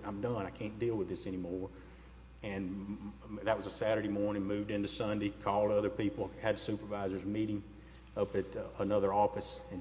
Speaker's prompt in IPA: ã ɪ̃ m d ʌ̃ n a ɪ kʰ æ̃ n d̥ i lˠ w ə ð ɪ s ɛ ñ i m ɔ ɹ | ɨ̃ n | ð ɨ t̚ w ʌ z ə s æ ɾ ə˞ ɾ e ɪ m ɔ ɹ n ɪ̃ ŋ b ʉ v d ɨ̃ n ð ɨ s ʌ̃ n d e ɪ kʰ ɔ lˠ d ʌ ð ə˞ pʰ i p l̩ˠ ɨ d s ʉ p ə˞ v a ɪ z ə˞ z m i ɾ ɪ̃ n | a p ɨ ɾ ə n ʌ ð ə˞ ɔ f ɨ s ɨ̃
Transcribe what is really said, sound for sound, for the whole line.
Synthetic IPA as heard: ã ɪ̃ m d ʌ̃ n a ɪ kʰ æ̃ n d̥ i lˠ w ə ð ɪ s ɛ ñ i m ɔ ɹ | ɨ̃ n | ð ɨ t̚ w ʌ z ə s æ ɾ ə˞ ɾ e ɪ m ɔ ɹ n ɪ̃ ŋ m ʉ v d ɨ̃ n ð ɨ s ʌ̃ n d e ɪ kʰ ɔ lˠ d ʌ ð ə˞ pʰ i p l̩ˠ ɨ d s ʉ p ə˞ v a ɪ z ə˞ z m i ɾ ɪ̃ ŋ | ʌ p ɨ ɾ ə n ʌ ð ə˞ ɔ f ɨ s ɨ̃